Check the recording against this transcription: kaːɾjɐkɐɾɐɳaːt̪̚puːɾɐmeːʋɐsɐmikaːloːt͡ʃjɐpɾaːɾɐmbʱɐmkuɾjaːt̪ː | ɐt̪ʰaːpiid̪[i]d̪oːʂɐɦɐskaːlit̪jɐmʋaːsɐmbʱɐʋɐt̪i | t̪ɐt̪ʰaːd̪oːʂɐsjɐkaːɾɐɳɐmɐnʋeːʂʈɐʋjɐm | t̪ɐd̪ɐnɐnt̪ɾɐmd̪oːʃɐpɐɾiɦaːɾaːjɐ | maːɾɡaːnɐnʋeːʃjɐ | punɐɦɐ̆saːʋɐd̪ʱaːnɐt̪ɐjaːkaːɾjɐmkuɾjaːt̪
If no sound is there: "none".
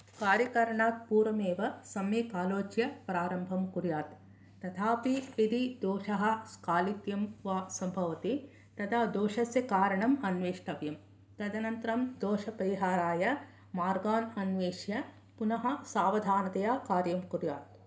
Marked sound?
i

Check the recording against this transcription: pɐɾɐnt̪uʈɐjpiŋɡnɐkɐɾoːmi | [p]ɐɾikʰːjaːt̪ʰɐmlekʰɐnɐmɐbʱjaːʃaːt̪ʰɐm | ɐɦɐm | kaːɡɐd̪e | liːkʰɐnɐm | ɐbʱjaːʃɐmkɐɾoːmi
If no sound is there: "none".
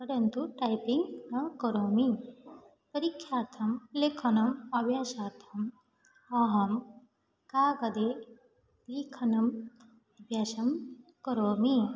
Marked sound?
p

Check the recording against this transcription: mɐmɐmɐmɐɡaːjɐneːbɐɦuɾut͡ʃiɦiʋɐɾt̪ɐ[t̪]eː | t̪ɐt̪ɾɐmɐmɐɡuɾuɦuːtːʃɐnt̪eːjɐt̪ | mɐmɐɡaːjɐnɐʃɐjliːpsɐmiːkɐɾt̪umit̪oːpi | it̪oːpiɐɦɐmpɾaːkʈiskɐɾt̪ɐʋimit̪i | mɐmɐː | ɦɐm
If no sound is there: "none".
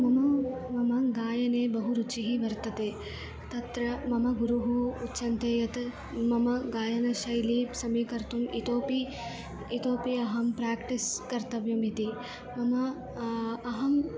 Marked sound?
t̪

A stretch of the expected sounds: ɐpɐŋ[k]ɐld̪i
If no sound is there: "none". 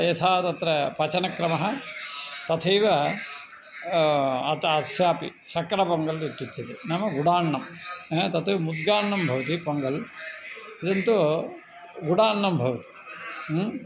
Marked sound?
ɡ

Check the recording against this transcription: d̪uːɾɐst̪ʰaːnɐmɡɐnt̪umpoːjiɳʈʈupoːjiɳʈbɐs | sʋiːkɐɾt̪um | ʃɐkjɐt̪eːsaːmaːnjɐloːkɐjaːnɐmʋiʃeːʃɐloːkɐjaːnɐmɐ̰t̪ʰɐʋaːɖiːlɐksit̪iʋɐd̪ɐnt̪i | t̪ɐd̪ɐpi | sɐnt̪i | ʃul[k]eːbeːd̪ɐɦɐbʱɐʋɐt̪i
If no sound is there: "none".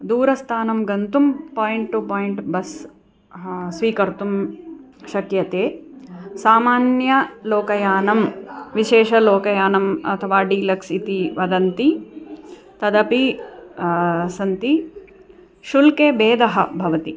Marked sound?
k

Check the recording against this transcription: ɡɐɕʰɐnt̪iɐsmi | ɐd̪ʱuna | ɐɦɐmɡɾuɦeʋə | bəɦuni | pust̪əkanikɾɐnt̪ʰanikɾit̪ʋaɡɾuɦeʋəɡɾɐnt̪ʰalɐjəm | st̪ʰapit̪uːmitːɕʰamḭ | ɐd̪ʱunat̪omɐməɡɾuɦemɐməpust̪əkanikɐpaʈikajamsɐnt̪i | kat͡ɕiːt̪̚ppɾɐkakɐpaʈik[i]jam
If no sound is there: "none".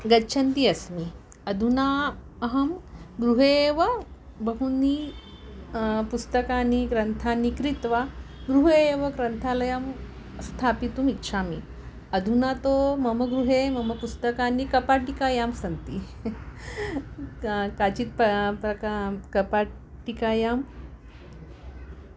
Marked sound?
a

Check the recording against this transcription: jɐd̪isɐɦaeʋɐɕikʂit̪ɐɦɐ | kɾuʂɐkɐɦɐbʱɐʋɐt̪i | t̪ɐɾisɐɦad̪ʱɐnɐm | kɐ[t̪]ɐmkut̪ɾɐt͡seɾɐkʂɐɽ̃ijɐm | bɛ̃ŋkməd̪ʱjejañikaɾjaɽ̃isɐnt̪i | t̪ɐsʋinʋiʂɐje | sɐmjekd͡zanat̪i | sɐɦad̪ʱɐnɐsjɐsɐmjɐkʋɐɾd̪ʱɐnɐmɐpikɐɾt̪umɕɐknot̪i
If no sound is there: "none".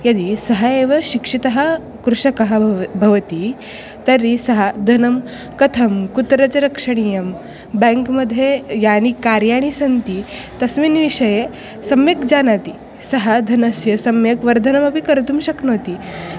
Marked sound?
t̪ʰ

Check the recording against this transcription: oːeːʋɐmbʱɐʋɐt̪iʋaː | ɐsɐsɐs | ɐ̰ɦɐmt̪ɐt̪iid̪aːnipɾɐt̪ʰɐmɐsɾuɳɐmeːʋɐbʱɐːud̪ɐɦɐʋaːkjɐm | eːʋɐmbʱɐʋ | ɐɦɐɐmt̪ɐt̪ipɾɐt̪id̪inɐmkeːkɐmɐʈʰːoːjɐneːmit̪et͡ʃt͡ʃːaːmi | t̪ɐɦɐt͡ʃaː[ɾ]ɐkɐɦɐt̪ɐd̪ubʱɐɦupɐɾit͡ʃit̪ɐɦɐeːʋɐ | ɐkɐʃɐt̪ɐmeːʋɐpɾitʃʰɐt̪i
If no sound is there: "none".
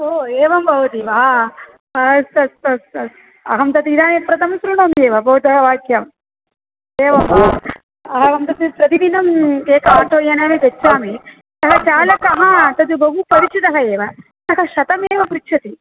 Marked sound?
l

